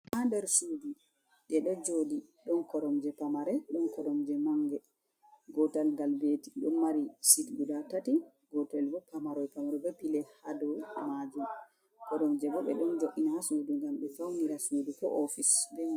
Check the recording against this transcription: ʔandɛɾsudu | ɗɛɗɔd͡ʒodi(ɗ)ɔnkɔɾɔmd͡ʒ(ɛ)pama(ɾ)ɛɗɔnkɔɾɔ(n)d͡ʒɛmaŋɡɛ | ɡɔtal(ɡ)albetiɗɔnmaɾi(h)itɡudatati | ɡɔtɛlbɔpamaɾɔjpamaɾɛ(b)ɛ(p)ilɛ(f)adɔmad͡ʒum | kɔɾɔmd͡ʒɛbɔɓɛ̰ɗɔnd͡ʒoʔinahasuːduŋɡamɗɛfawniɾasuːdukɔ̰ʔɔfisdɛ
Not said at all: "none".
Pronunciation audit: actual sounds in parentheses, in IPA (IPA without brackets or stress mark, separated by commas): ɗ, ɛ, ɾ, m, ɡ, s, b, p, h